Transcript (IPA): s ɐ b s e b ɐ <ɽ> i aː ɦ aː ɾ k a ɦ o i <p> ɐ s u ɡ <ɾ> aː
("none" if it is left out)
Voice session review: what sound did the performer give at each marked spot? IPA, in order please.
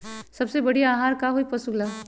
ɽ, p, l

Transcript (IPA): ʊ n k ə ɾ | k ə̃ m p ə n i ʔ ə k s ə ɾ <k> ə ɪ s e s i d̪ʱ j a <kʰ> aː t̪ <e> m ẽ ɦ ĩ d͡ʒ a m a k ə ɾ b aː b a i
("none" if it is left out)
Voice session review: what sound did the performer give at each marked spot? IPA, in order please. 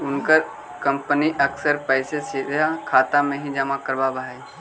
p, kʰ, a

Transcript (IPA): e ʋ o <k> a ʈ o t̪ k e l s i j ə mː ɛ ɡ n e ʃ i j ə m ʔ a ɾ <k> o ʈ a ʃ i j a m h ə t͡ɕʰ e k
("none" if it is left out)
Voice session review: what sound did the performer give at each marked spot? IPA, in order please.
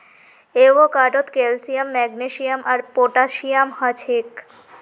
k, p

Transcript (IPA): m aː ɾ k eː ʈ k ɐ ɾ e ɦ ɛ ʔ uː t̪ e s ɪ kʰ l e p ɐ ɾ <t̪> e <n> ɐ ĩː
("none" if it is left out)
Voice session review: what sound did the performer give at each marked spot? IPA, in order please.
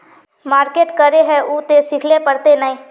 t̪, n

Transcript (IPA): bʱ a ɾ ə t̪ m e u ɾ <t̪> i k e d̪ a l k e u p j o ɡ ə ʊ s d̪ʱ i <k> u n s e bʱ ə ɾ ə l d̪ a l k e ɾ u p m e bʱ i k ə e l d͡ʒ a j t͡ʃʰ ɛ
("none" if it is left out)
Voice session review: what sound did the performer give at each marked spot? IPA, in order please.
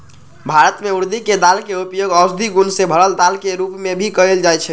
d̪, ɡ

